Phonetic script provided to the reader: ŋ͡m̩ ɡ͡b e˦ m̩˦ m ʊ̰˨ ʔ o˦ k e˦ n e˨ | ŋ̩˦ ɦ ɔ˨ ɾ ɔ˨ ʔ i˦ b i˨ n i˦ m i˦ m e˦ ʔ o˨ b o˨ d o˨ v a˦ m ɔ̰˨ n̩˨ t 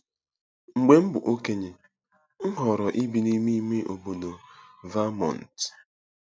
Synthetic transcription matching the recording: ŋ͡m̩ ɡ͡b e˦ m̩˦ b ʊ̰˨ ʔ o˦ k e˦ ɲ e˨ | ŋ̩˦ ɦ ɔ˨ ɾ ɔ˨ ʔ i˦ b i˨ n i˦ m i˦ m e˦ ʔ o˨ b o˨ d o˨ v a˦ m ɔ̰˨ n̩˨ t